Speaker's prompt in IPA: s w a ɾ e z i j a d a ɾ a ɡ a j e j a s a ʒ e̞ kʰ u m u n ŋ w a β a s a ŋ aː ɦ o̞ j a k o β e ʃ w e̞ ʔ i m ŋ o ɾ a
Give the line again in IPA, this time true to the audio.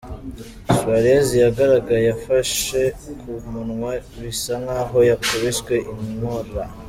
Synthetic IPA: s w a ɾ e z i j a ɡ a ɾ a ɡ a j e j a f a ʃ e̞ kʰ u m u n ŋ w a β i s a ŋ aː ɦ o̞ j a k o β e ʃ w e̞ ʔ i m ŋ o ɾ a

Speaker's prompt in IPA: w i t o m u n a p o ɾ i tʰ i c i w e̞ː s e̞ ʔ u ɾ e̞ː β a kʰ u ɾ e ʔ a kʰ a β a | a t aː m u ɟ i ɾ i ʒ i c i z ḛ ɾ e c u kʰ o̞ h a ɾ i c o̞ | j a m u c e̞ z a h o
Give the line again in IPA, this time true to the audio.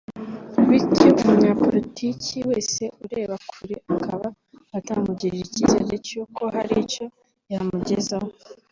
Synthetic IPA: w i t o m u ɲ a p o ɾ i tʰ i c i w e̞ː s e̞ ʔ u ɾ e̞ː β a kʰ u ɾ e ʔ a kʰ a β a | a t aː m u ɟ i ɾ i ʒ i c i z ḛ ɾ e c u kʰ o̞ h a ɾ i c o̞ | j a m u ɟ e̞ z a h o

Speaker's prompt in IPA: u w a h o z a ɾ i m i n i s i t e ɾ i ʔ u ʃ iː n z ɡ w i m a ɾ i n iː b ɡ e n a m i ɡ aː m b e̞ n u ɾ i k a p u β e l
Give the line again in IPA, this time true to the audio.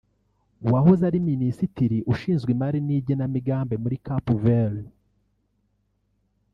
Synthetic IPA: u w a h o z a ɾ i m i n i s i t i ɾ i ʔ u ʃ iː n z ɡ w i m a ɾ i n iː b ɟ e n a m i ɡ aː m b e̞ m u ɾ i k a p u v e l

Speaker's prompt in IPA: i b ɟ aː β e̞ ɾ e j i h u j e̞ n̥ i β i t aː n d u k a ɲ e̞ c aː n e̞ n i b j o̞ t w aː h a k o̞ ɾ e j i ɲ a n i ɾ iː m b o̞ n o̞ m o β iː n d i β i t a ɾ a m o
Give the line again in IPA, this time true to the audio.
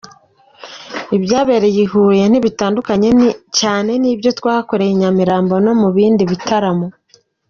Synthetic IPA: i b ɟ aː β e̞ ɾ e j i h u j e̞ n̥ i β i t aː n d u k a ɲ e̞ c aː n e̞ n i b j o̞ t w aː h a k o̞ ɾ e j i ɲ a m i ɾ aː m b o̞ n o̞ m u β iː n d i β i t a ɾ a m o

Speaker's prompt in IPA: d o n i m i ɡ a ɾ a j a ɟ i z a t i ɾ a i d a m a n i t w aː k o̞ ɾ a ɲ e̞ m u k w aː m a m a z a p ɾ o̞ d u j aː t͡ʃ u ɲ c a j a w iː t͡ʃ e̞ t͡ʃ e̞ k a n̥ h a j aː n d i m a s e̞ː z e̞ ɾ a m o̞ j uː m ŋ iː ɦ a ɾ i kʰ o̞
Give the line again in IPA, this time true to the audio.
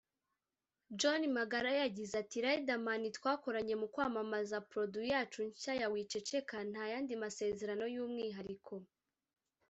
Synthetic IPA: d͡ʒ o n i m a ɡ a ɾ a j a ɟ i z a t i ɾ a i d a m a n i t w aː k o̞ ɾ a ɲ e̞ m u k w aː m a m a z a p ɾ o̞ d u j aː t͡ʃ u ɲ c a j a w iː t͡ʃ e̞ t͡ʃ e̞ k a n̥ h a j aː n d i m a s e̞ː z e̞ ɾ a n o̞ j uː m ŋ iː ɦ a ɾ i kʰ o̞

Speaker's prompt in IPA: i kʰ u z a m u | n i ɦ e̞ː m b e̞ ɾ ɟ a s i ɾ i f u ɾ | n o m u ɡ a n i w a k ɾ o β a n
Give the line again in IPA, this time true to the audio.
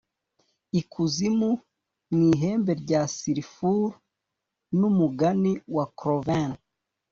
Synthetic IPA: i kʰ u z i m u | n i ɦ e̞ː m b e̞ ɾ ɟ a s i ɾ i f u ɾ | n u m u ɡ a n i w a k ɾ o v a n

